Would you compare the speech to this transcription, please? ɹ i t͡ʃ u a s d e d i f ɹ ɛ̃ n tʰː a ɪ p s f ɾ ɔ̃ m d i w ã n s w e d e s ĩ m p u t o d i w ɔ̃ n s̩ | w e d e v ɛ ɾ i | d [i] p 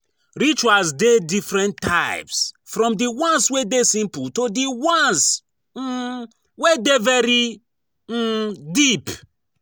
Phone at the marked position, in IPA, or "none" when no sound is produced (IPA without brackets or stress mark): i